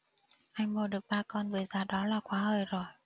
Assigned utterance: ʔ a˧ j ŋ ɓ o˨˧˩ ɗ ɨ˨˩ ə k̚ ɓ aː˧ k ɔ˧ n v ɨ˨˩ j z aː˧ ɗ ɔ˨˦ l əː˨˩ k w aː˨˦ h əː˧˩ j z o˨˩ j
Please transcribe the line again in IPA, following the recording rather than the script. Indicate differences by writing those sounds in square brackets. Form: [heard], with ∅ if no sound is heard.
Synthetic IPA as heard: ʔ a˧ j ŋ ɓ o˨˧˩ ɗ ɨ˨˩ ə k̚ ɓ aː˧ k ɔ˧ n v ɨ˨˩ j z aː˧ ɗ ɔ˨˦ l [aː˨˩] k w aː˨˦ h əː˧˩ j z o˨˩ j